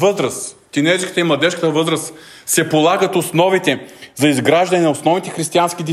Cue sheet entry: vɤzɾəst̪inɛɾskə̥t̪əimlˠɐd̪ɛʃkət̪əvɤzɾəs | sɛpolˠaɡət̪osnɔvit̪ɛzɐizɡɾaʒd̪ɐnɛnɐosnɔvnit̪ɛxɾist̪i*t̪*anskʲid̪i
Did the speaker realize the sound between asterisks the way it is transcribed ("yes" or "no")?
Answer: no